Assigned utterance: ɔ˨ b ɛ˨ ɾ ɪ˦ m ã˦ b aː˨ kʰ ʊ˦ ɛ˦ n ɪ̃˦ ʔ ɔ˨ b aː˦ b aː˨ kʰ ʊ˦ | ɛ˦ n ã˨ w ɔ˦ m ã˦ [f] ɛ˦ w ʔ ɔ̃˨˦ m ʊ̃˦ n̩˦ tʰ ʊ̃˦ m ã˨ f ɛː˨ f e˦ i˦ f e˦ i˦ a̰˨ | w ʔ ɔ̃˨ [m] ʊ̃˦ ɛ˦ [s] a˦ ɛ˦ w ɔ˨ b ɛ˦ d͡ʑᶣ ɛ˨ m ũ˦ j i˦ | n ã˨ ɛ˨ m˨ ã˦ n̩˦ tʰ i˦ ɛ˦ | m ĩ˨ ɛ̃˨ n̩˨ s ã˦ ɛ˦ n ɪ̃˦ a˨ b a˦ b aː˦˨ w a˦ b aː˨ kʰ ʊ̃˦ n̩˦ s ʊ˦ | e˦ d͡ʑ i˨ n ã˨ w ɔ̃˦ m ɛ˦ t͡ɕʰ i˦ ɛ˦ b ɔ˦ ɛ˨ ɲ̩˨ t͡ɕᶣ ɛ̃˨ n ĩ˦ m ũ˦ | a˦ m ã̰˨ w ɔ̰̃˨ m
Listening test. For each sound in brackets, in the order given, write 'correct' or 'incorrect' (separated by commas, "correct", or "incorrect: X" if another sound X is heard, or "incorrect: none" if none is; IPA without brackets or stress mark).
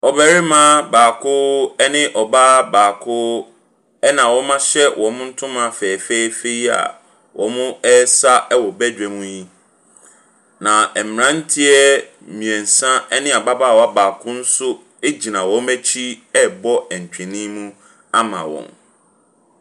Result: incorrect: ɕ, correct, correct